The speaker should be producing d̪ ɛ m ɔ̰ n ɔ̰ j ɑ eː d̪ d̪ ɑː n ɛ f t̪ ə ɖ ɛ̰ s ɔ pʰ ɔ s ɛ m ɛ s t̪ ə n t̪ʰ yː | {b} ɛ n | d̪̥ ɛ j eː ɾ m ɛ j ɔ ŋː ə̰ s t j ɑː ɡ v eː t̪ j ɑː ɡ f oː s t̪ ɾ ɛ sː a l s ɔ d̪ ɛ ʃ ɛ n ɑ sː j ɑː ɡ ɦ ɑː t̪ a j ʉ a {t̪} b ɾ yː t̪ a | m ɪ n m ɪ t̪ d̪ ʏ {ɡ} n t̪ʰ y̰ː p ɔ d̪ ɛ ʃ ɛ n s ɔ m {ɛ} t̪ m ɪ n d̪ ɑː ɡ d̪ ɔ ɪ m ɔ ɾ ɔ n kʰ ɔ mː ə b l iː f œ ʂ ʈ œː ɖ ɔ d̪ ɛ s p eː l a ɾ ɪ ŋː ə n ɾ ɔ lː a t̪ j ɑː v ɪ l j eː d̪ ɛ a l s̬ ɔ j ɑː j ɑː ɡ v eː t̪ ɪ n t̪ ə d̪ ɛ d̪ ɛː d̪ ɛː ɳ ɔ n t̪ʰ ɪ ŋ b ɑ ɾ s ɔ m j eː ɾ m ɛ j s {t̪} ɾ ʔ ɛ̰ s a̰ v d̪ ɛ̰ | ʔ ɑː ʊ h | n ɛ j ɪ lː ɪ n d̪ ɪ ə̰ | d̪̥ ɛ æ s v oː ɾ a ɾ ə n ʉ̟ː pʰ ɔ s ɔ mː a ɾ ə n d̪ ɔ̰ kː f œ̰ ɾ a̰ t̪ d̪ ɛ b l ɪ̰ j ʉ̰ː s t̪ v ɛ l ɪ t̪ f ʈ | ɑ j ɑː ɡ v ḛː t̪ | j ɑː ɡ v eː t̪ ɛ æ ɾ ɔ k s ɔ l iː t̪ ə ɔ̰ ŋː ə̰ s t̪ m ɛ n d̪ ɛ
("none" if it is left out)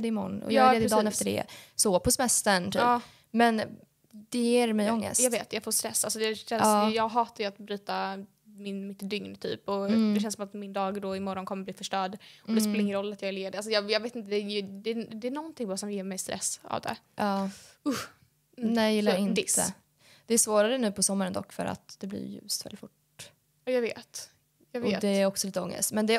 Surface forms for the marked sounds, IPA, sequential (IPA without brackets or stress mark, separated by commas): m, t̪, ŋ, a, t̪